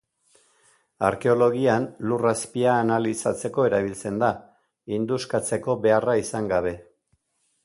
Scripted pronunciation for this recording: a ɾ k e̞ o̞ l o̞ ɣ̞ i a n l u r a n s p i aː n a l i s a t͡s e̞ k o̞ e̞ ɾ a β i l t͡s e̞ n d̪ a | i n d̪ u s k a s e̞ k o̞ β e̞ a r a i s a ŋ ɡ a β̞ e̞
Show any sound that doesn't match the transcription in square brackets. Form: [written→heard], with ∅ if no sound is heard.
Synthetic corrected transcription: a ɾ k e̞ o̞ l o̞ ɣ̞ i a n l u r a [n→∅] s p i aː n a l i s a t͡s e̞ k o̞ e̞ ɾ a β i l t͡s e̞ n d̪ a | i n d̪ u s k a [s→t͡s] e̞ k o̞ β e̞ a r a i s a ŋ ɡ a β̞ e̞